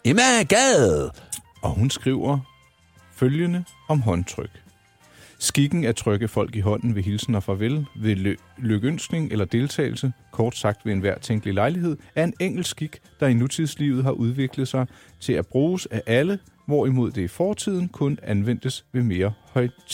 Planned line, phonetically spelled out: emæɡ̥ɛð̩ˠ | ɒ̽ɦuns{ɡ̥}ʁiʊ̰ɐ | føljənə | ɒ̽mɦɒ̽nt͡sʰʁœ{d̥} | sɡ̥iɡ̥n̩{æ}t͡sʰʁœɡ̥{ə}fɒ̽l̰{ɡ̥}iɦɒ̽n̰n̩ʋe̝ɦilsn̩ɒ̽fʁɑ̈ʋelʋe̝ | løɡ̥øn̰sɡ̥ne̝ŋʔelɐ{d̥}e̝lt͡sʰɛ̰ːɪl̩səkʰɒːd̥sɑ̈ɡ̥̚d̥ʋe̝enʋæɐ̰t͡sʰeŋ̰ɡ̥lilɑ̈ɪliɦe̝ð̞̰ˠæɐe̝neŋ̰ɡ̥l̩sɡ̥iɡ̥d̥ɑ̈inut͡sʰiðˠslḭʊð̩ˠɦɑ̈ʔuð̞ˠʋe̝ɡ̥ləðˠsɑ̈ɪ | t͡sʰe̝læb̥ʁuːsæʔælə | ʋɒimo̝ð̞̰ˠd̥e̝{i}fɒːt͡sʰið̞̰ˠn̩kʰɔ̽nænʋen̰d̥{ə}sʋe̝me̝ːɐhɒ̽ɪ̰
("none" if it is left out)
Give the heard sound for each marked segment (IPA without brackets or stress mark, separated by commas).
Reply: ɡ̥, ɡ̥, æ, ə, ɡ̥, d̥, i, ə